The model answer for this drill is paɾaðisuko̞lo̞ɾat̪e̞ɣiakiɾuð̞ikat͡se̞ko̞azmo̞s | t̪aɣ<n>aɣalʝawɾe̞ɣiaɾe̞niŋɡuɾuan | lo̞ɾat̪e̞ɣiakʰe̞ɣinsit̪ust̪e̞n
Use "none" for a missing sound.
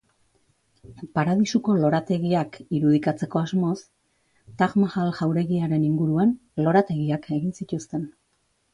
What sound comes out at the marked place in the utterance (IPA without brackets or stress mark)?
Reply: m